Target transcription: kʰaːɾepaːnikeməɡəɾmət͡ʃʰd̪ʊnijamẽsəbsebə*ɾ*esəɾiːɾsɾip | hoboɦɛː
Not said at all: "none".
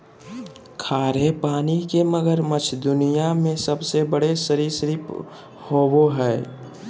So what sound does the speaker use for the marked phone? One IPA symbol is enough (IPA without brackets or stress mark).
ɽ